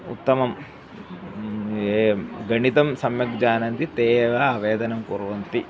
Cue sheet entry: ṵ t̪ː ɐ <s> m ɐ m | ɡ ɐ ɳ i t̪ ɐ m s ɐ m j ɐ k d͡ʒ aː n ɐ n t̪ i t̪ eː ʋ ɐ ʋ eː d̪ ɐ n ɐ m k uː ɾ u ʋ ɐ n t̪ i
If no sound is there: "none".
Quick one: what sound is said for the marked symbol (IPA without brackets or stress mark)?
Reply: none